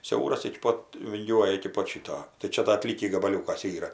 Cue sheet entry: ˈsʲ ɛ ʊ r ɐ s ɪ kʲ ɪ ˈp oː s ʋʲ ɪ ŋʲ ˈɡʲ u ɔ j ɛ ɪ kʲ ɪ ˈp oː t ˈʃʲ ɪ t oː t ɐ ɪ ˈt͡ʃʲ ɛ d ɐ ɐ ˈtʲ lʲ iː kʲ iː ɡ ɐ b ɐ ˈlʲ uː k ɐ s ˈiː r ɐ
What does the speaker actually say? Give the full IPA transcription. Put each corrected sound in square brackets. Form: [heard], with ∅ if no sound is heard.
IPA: ˈsʲ ɛ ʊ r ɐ s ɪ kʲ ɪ ˈp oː [t] ʋʲ ɪ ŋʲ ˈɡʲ u ɔ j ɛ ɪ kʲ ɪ ˈp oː t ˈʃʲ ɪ t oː t ɐ ɪ ˈt͡ʃʲ ɛ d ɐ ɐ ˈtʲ lʲ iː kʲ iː ɡ ɐ b ɐ ˈlʲ uː k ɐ s ˈiː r ɐ